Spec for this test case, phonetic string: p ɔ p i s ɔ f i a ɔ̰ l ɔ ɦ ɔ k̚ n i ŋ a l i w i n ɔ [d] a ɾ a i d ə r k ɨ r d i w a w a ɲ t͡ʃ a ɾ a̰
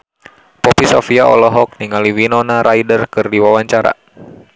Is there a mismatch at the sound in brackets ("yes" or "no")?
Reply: yes